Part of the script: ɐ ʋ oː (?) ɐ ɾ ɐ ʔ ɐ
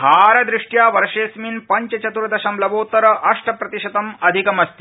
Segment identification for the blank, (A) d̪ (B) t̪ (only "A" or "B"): B